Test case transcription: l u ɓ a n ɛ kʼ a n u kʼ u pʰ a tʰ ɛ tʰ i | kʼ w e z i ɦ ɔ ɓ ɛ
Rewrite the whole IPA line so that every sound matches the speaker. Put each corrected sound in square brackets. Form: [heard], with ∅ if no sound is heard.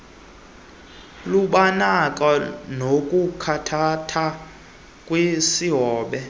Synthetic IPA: l u ɓ a n [a] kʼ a n [o] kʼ u [kʰ] a tʰ [a] tʰ [a] | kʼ w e [s] i ɦ [ɔː] ɓ ɛ

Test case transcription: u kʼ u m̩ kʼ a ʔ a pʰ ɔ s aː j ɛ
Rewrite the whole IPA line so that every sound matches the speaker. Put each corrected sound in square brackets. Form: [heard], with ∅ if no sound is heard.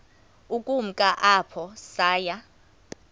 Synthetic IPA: u kʼ u m̩ kʼ a ʔ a pʰ ɔ s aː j [a]

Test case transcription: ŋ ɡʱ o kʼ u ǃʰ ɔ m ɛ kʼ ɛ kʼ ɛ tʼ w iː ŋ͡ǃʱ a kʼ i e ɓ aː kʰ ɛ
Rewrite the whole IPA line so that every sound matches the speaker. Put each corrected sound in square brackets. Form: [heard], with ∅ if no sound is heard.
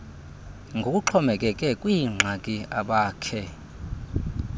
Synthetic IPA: ŋ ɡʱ o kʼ u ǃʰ ɔ m ɛ kʼ ɛ kʼ ɛ [kʼ] w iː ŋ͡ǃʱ a kʼ i [a] ɓ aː kʰ ɛ

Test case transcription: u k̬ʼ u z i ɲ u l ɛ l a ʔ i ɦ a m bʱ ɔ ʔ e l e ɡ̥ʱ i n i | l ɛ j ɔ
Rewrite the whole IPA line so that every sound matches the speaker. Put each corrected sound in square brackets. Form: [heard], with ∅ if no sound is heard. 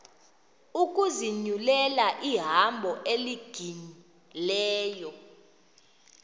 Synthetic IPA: u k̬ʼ u z i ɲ u l ɛ l a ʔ i ɦ a m bʱ ɔ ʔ e l [i] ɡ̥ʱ i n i | l [ɛː] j ɔ

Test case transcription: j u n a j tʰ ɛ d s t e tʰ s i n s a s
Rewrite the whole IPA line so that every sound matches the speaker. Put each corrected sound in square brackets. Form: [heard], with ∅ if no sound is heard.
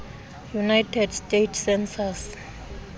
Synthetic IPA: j u n a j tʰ ɛ d s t e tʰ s [ɛ] n s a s

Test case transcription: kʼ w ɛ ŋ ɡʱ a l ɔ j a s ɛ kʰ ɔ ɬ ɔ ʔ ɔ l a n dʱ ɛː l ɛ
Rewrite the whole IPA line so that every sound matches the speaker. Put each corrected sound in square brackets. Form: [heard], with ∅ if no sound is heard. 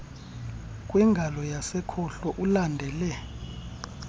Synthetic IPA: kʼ w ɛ ŋ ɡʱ a l ɔ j a s ɛ kʰ ɔ ɬ ɔ ʔ [u] l a n dʱ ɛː l ɛ

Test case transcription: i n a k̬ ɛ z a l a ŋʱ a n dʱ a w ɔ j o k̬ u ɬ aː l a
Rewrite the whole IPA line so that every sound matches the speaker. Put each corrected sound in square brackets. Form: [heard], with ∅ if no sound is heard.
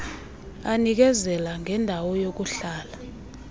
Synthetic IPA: [a] n [i] k̬ ɛ z [ɛ] l a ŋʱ [ɛ] n dʱ a w ɔ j o k̬ u ɬ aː l a

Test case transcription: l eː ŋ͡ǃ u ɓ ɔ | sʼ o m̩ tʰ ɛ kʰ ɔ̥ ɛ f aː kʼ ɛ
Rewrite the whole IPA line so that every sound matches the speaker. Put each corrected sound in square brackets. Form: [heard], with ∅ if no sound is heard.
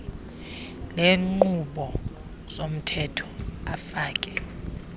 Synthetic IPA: l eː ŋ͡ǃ u ɓ ɔ | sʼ o m̩ tʰ ɛ [tʰ] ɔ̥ [a] f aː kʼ ɛ

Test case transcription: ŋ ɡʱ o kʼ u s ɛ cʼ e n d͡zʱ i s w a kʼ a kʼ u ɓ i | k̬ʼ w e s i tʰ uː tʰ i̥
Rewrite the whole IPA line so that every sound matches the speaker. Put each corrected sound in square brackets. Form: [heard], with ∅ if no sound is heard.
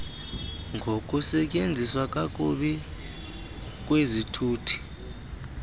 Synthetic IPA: ŋ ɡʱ o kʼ u s ɛ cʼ e n d͡zʱ i s w a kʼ a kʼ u ɓ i | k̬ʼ w e [z] i tʰ uː tʰ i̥

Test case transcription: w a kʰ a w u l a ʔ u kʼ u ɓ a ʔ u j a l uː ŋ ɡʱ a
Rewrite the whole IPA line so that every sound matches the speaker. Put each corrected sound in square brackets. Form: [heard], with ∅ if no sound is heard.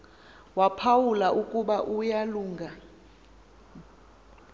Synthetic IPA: w a [pʰ] a w u l a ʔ u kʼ u ɓ a ʔ u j a l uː ŋ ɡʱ a

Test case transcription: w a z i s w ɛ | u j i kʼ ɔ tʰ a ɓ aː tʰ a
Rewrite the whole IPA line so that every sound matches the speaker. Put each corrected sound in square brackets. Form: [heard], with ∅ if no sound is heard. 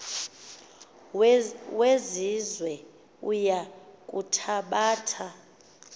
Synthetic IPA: w [e] z i [z] w ɛ | u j [a] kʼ [u] tʰ a ɓ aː tʰ a

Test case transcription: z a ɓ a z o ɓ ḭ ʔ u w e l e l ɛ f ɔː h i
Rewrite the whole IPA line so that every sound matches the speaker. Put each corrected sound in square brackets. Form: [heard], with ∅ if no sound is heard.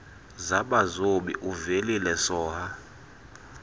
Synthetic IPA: z a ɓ a z o ɓ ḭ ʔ u [v] e l [i] l ɛ [s] ɔː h [a]

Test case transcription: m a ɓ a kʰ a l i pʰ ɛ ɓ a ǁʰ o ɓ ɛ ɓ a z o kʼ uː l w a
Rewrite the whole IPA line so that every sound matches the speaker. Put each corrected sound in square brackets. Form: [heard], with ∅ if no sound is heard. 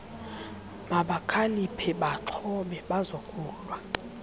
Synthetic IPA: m a ɓ a kʰ a l i pʰ ɛ ɓ a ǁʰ [ɔ] ɓ ɛ ɓ a z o kʼ uː l w a

